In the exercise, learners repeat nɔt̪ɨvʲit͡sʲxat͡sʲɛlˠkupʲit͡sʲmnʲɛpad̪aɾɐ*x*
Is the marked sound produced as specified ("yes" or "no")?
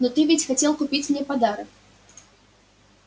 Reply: no